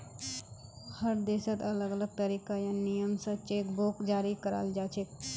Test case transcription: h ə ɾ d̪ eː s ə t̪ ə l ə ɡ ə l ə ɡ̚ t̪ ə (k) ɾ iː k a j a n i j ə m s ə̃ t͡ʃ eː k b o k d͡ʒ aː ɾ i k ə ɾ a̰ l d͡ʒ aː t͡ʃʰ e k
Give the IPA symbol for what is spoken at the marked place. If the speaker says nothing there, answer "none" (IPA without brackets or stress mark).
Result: none